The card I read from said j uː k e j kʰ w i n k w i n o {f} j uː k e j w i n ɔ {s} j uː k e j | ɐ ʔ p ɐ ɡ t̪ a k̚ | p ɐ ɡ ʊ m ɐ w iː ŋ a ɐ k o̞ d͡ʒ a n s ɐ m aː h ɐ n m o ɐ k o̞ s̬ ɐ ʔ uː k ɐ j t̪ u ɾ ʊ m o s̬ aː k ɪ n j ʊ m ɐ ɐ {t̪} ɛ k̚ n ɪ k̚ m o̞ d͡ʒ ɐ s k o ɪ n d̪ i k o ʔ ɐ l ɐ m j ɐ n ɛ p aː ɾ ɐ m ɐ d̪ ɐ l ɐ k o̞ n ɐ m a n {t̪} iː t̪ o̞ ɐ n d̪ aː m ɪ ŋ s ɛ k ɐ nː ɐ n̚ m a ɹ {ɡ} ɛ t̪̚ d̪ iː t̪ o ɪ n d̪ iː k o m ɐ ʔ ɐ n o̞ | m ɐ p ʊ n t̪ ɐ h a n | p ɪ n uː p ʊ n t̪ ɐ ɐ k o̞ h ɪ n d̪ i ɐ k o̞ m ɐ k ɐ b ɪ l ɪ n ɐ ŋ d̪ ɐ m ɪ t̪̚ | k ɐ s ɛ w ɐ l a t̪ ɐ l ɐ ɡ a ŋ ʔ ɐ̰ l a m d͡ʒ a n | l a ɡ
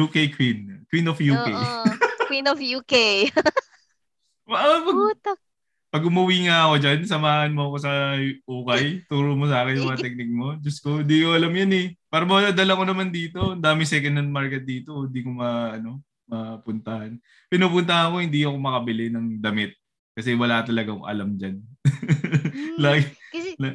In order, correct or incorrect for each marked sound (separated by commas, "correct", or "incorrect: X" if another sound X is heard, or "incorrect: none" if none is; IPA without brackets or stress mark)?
correct, incorrect: f, correct, incorrect: d̪, incorrect: k